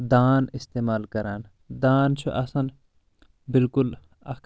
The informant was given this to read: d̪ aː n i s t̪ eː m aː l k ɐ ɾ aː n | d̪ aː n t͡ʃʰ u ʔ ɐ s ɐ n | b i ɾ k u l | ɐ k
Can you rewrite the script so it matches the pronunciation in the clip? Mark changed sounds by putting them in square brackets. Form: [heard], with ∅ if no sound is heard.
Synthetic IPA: d̪ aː n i s t̪ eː m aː l k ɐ ɾ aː n | d̪ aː n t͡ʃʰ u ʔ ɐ s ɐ n | b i [l] k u l | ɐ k